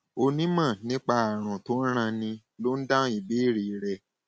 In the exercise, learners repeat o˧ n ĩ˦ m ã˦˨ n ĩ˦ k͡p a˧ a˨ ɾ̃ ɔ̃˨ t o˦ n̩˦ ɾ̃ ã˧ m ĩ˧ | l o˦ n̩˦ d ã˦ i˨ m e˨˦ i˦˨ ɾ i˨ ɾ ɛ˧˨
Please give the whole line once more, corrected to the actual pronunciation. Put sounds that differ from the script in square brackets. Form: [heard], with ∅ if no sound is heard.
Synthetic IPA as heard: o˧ n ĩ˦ m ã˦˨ n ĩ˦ k͡p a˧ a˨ ɾ̃ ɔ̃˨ t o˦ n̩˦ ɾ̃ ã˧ [n] ĩ˧ | l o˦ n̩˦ d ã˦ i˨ [b] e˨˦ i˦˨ ɾ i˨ ɾ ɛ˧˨